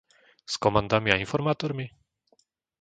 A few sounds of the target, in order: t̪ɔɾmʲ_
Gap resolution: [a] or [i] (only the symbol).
i